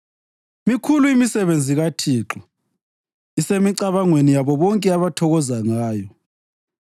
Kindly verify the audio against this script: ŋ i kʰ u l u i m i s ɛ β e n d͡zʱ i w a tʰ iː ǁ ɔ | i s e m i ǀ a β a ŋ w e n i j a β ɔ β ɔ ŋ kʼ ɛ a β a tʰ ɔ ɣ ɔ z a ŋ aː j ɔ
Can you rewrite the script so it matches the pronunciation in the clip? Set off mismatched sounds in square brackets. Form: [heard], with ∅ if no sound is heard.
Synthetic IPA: [m] i kʰ u l u i m i s ɛ β e n d͡zʱ i [ɣ] a tʰ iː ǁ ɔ | i s e m i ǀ a β a ŋ w e n i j a β ɔ β ɔ ŋ kʼ ɛ a β a tʰ ɔ ɣ ɔ z a ŋ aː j ɔ